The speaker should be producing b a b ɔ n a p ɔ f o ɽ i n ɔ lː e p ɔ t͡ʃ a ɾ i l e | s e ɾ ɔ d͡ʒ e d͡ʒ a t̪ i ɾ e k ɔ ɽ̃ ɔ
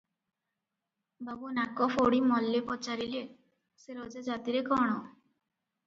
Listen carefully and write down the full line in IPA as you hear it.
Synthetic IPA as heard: b a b u n a k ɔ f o ɽ i m ɔ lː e p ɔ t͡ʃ a ɾ i l e | s e ɾ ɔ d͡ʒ a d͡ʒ a t̪ i ɾ e k ɔ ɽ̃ ɔ